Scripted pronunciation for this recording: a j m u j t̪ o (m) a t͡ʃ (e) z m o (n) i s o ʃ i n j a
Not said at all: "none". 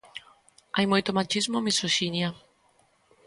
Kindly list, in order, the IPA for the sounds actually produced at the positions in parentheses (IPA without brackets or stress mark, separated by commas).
m, i, m